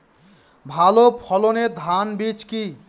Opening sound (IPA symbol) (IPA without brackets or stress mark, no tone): bʱ